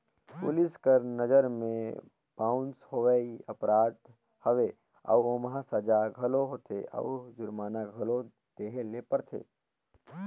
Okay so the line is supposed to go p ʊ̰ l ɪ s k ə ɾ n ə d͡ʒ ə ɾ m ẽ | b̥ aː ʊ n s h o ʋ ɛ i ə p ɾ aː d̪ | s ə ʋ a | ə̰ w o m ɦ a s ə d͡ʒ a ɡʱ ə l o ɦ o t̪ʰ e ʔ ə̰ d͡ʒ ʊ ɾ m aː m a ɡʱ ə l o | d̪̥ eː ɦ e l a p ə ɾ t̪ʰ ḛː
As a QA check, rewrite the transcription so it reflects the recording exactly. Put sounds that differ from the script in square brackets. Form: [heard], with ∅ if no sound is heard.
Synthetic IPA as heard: p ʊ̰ l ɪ s k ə ɾ n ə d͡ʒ ə ɾ m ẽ | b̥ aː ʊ n s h o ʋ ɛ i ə p ɾ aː d̪ | [h] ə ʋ [e] | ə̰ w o m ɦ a s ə d͡ʒ a ɡʱ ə l o ɦ o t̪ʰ e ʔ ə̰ d͡ʒ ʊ ɾ m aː [n] a ɡʱ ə l o | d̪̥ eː ɦ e l [e] p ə ɾ t̪ʰ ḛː